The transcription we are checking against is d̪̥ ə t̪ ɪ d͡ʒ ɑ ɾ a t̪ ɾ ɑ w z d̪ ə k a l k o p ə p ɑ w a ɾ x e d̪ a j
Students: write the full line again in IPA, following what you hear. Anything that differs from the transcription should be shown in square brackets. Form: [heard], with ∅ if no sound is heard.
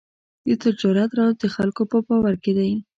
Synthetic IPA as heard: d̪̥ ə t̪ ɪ d͡ʒ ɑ ɾ a t̪ ɾ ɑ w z d̪ ə [x] a l k o p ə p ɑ w a ɾ [k] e d̪ a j